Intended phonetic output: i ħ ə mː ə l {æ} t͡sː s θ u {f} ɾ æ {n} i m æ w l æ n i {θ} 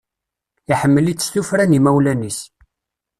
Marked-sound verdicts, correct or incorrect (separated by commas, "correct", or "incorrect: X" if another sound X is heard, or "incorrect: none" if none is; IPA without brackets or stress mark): incorrect: i, correct, correct, incorrect: s